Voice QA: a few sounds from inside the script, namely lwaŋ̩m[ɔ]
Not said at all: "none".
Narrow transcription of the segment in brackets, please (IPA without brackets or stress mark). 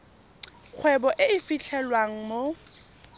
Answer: o